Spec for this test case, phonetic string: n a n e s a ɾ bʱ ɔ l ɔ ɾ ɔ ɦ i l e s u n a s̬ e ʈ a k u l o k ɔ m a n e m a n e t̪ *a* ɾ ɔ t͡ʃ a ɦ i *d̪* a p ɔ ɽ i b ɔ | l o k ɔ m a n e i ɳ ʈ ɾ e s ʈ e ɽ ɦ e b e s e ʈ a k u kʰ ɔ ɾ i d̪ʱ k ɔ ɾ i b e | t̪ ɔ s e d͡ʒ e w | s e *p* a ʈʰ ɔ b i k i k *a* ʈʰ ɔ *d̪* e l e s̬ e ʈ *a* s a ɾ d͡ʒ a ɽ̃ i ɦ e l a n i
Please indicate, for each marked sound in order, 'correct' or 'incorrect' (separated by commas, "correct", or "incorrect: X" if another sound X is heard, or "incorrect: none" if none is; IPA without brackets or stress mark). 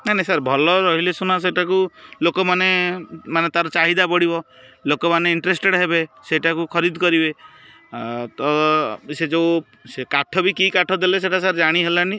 correct, correct, incorrect: k, correct, correct, correct